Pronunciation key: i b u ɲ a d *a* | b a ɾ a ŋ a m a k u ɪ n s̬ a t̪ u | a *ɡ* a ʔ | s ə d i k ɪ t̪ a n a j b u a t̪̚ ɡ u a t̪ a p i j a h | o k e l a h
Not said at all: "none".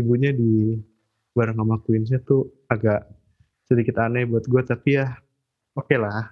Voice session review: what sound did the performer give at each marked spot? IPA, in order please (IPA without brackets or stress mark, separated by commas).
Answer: i, ɡ